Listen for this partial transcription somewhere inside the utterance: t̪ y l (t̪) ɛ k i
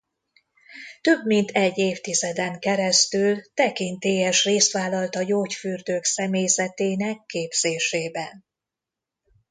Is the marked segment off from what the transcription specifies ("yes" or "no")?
no